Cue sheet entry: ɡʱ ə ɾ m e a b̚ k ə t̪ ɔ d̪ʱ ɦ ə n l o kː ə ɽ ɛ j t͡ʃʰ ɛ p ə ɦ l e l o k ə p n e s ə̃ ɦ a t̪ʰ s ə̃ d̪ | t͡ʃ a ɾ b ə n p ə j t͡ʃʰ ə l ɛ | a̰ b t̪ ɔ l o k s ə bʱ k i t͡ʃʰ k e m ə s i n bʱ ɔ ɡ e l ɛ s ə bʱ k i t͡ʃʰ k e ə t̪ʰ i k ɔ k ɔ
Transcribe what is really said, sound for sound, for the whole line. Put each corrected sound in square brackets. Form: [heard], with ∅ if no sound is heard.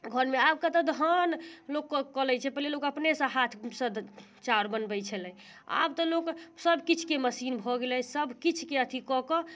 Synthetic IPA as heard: ɡʱ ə ɾ m e a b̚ k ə t̪ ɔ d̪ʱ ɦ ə n l o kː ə [l] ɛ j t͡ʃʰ ɛ p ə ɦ l e l o k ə p n e s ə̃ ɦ a t̪ʰ s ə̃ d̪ | t͡ʃ a ɾ b ə n [b] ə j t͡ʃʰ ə l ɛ | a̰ b t̪ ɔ l o k s ə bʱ k i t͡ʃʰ k e m ə s i n bʱ ɔ ɡ e l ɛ s ə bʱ k i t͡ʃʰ k e ə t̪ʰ i k ɔ k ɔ